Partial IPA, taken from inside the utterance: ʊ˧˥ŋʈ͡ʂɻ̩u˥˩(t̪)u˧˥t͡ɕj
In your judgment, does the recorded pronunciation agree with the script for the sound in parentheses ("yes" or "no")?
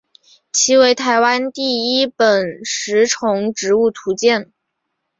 no